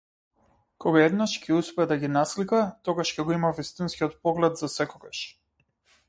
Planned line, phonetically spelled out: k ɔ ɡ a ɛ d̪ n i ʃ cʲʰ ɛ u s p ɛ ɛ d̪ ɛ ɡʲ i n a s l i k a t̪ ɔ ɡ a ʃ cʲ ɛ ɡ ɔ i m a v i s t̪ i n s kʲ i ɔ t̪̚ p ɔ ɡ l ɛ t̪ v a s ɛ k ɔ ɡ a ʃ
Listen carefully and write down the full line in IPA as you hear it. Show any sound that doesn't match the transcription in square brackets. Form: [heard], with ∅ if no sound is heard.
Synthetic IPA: k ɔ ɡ a ɛ d̪ n [a] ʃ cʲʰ ɛ u s p ɛ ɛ d̪ [a] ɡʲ i n a s l i k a t̪ ɔ ɡ a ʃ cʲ ɛ ɡ ɔ i m a v i s t̪ i n s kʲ i ɔ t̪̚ p ɔ ɡ l ɛ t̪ [z] a s ɛ k ɔ ɡ a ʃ